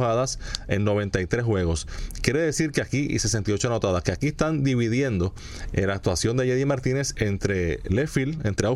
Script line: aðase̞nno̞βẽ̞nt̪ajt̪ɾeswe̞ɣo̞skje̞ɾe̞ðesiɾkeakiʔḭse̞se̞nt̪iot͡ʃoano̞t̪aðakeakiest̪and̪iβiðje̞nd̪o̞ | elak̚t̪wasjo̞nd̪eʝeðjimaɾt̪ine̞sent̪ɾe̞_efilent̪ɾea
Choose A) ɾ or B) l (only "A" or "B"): B